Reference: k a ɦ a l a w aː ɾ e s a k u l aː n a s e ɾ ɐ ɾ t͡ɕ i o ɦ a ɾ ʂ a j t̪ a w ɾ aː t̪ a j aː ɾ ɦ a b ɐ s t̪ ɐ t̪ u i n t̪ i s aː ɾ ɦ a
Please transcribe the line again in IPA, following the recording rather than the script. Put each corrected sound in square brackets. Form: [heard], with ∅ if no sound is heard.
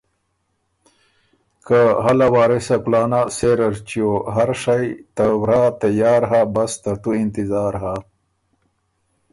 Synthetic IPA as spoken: k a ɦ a l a w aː ɾ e s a k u l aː n a s e ɾ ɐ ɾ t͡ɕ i o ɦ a ɾ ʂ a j t̪ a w ɾ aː t̪ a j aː ɾ ɦ a b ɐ s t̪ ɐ t̪ u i n t̪ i [z] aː ɾ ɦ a

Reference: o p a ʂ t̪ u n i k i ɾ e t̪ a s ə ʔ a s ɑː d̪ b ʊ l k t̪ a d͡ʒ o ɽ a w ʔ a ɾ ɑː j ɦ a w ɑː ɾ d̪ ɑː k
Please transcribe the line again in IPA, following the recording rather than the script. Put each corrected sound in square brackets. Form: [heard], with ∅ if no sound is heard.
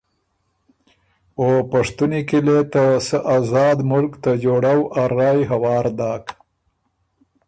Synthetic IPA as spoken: o p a ʂ t̪ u n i k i [l] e t̪ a s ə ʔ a [z] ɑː d̪ [m] ʊ l k t̪ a d͡ʒ o ɽ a w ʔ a ɾ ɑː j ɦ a w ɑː ɾ d̪ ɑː k

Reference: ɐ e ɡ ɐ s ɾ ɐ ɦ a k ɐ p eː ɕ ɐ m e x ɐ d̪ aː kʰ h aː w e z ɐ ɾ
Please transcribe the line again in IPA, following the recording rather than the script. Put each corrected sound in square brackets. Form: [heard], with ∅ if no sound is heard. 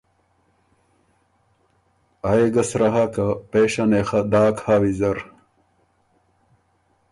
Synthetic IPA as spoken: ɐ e ɡ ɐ s ɾ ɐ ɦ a k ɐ p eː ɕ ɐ [n] e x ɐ d̪ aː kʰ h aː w [i] z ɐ ɾ

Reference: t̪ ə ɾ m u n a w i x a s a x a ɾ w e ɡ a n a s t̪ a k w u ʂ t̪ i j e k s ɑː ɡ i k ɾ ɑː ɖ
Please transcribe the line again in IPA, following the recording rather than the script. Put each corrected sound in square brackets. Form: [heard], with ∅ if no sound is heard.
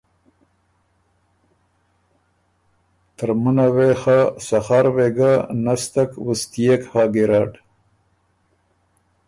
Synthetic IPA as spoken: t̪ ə ɾ m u n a w [e] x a s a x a ɾ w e ɡ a n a s t̪ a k w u [s] t̪ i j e k [h] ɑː ɡ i [∅] ɾ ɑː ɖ

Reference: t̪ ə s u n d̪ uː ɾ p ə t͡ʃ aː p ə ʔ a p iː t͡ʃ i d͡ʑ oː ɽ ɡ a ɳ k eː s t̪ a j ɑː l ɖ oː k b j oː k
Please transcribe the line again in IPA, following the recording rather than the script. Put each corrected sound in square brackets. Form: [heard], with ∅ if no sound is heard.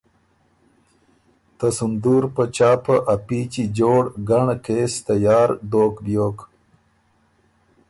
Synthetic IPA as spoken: t̪ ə s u n d̪ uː ɾ p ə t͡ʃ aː p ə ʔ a p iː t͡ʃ i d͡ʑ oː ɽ ɡ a ɳ k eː s t̪ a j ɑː [ɾ] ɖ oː k b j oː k

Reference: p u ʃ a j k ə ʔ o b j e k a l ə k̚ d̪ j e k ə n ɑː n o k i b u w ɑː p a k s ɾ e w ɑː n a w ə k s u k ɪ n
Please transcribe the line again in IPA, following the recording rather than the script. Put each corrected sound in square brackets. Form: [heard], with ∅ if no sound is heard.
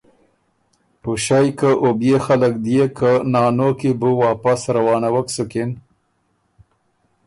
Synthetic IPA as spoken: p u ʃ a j k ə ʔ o b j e [x] a l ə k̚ d̪ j e k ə n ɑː n o k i b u w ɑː p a [∅] s ɾ [a] w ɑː n a w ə k s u k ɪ n

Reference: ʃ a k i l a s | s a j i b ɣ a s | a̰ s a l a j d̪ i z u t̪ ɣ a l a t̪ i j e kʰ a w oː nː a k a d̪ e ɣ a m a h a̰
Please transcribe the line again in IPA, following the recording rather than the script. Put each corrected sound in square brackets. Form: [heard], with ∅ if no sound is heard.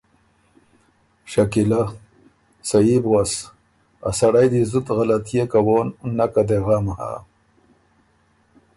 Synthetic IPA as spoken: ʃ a k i l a [∅] | s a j i b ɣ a s | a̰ s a [ɽ] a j d̪ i z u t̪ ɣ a l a t̪ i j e [k] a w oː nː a k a d̪ e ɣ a m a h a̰

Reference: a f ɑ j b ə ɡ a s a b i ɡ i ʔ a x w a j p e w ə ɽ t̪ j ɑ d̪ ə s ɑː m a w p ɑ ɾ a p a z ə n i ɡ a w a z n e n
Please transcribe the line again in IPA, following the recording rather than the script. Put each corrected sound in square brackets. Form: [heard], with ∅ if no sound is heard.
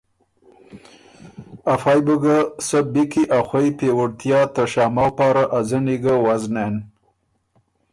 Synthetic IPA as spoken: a f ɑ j b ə ɡ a s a b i [k] i ʔ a x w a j p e w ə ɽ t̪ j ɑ [t̪] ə [ʃ] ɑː m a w p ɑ ɾ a [ʔ] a z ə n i ɡ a w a z n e n

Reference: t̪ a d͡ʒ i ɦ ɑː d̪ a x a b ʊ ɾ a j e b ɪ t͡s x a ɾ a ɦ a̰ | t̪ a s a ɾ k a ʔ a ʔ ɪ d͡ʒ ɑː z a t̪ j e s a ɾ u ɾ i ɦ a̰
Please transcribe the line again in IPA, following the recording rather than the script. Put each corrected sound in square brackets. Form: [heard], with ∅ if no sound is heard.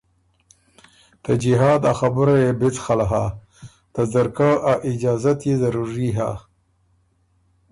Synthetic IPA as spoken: t̪ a d͡ʒ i ɦ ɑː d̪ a x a b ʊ ɾ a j e b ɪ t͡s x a [l] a ɦ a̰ | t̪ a [z] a ɾ k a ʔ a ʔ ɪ d͡ʒ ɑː z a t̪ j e [z] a ɾ u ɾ i ɦ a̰

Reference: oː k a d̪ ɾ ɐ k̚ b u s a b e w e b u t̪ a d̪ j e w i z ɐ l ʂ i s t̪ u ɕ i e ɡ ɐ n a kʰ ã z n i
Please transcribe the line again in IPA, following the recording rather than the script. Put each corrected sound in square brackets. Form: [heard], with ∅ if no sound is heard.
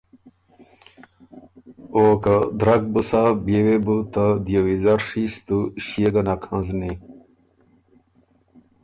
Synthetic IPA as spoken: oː k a d̪ ɾ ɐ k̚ b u s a b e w e b u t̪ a d̪ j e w i z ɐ [ɾ] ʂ i s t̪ u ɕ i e ɡ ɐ n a kʰ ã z n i

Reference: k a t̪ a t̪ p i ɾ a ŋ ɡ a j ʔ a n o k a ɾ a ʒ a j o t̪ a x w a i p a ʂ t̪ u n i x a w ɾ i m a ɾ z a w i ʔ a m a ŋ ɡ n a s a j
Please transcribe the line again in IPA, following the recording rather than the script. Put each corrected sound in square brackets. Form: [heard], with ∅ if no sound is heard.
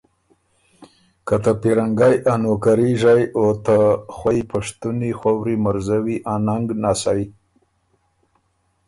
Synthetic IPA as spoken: k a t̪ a [∅] p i ɾ a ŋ ɡ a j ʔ a n o k a ɾ [i] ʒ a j o t̪ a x w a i p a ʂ t̪ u n i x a w ɾ i m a ɾ z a w i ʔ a [n] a ŋ ɡ n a s a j

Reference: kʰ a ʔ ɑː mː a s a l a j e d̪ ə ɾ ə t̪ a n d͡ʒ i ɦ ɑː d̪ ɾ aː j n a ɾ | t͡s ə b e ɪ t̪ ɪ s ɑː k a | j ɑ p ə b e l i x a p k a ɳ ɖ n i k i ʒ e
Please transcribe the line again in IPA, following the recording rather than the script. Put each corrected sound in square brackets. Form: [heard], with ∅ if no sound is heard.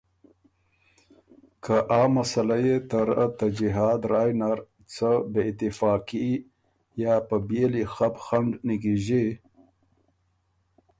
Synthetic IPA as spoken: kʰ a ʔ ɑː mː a s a l a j e [t̪] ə ɾ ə t̪ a [∅] d͡ʒ i ɦ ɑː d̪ ɾ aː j n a ɾ | t͡s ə b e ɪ t̪ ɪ [f] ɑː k [i] | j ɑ p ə b e l i x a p [x] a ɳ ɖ n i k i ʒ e

